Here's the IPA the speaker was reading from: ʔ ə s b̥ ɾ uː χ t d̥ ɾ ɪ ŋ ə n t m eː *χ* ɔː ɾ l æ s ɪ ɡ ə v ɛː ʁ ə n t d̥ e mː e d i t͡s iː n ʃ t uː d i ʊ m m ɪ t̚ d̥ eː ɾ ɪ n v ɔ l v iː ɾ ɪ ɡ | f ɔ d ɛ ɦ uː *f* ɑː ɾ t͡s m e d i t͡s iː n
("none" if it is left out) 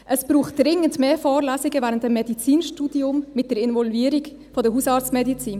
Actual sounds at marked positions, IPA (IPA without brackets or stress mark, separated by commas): f, s